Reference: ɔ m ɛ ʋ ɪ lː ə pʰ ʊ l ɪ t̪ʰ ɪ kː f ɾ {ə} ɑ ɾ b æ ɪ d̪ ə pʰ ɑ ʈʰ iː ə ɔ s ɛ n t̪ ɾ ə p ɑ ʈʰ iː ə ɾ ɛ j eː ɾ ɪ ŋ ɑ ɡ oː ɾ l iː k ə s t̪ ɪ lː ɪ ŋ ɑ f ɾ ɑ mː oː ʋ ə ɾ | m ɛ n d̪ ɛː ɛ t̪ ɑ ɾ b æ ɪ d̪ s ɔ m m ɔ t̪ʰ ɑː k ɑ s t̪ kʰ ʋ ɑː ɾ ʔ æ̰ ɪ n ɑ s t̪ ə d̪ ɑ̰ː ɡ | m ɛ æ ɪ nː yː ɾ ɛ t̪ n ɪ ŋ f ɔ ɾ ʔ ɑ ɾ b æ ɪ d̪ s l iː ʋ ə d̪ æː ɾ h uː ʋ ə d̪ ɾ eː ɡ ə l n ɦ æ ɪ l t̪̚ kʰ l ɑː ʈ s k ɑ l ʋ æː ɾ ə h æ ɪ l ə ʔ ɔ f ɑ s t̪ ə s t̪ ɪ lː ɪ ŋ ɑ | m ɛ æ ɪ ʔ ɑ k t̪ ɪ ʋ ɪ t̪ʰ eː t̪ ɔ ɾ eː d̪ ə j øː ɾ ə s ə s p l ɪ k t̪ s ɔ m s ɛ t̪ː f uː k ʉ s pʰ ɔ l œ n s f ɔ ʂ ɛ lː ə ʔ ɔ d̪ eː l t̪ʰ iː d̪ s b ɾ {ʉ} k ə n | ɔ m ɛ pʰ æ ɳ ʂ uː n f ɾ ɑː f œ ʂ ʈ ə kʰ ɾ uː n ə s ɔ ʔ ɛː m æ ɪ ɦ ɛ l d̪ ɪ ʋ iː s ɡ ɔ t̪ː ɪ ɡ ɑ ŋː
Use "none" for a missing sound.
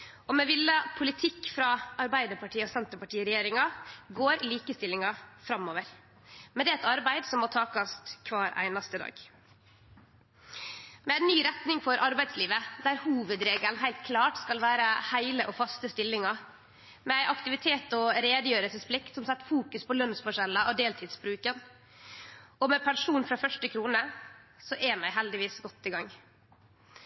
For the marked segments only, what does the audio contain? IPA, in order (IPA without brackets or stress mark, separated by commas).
ɑ, ʉː